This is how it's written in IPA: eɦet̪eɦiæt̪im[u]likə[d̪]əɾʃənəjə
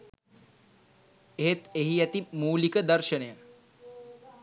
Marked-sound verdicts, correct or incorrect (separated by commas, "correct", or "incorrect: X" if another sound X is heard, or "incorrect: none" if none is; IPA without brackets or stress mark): incorrect: uː, correct